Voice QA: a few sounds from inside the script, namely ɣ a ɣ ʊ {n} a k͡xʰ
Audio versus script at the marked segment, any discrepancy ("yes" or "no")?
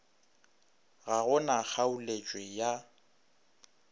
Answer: no